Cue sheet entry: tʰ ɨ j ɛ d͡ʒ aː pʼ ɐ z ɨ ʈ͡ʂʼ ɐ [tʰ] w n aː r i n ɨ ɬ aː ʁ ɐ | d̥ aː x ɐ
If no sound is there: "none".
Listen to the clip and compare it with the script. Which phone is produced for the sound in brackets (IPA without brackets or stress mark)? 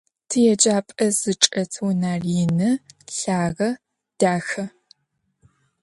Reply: tʰ